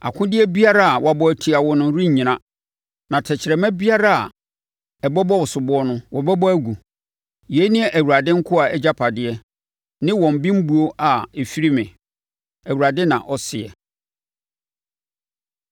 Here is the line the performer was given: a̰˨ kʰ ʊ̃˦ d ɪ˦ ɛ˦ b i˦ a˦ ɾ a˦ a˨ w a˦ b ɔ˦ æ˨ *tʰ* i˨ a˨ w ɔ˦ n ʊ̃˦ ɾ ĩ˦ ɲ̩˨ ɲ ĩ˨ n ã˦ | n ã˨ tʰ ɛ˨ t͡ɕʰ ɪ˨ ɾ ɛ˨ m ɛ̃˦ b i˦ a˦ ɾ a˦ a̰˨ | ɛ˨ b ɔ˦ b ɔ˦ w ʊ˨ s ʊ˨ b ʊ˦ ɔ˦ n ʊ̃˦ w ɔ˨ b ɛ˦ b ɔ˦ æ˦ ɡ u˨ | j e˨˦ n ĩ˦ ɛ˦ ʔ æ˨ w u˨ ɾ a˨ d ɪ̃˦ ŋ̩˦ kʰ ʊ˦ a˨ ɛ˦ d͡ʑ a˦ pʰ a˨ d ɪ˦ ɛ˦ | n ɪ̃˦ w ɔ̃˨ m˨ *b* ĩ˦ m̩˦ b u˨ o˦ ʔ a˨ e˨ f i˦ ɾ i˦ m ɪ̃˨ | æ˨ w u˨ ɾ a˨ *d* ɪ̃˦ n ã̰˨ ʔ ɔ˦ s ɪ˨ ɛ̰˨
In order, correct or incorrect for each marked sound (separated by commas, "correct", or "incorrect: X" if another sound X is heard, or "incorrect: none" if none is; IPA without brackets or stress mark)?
correct, correct, correct